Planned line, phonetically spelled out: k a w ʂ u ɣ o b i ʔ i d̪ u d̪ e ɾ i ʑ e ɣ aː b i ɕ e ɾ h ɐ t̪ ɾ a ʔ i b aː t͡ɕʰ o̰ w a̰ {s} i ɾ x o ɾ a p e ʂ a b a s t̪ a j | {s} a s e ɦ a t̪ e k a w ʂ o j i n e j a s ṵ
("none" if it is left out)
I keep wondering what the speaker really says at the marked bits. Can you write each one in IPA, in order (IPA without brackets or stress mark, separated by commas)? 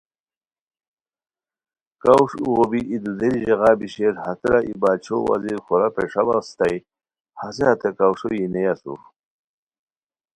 z, h